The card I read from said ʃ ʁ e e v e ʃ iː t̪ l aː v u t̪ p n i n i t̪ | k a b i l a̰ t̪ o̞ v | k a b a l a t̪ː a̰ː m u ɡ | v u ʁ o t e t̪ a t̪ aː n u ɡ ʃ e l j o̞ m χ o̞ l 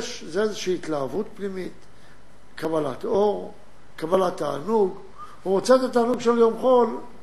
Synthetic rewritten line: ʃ z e e z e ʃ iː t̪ l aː v u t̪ p n i m i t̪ | k a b a l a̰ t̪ o̞ ʁ | k a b a l a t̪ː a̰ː n u ɡ | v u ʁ o t͡s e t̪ a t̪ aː n u ɡ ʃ e l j o̞ m χ o̞ l